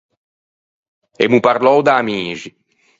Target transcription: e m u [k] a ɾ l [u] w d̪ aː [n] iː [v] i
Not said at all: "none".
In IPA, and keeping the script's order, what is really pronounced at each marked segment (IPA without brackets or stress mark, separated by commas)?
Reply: p, ɔ, m, ʒ